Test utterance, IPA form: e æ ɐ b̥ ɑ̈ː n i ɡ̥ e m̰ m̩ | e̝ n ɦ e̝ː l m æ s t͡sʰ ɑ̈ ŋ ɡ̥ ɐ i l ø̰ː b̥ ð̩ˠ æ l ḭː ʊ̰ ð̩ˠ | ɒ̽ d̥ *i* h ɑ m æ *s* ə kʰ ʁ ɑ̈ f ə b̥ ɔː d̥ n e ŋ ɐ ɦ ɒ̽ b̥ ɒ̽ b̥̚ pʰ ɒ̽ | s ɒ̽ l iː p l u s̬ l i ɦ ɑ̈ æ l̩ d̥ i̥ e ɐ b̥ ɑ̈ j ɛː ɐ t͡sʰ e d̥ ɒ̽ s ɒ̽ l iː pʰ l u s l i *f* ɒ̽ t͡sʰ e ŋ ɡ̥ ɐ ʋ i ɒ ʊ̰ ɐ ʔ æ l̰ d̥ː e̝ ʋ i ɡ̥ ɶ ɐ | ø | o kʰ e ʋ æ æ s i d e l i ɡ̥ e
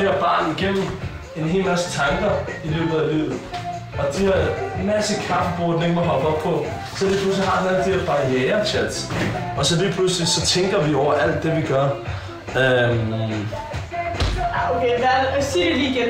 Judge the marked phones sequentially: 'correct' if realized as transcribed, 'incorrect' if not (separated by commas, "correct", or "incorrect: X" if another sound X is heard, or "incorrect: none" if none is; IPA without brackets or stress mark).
correct, correct, incorrect: s